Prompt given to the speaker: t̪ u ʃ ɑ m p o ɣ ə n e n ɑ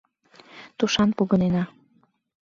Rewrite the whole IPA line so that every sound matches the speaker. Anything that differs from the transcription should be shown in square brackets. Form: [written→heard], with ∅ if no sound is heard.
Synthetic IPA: t̪ u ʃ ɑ [m→n] p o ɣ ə n e n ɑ